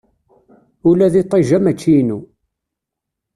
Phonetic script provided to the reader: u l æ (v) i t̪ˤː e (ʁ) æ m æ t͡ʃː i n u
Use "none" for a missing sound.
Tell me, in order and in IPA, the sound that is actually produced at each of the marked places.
ð, ʒ

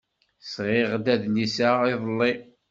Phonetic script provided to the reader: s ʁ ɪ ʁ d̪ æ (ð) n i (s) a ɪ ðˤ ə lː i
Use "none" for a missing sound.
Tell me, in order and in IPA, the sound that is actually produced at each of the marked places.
ð, s

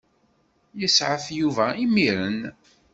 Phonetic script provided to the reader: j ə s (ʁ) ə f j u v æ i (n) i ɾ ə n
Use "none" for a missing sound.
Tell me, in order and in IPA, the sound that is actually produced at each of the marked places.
ʕ, m

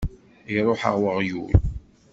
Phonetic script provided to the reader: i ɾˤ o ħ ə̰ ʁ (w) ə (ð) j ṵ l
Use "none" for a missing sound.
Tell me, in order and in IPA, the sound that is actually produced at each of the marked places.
w, ʁ

